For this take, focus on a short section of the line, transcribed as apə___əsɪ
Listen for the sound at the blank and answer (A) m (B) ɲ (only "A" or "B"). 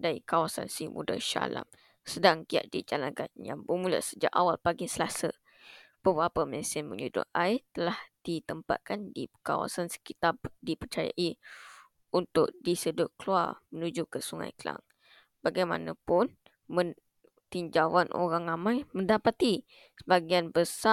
A